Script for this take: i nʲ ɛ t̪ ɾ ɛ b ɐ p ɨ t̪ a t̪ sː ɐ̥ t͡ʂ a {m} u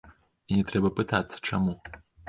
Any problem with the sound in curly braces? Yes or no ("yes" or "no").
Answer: no